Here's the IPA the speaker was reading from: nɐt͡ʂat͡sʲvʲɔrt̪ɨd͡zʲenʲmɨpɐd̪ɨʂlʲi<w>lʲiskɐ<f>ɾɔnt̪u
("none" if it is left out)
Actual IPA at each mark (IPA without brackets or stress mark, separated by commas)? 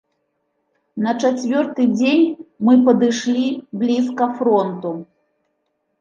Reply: b, f